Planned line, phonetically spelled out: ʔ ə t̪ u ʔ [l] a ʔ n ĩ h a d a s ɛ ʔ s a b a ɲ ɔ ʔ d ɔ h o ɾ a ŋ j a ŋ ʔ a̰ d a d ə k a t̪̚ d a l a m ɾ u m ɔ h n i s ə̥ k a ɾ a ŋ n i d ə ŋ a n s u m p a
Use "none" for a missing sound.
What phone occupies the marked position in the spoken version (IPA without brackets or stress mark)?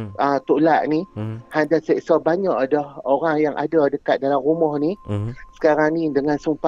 l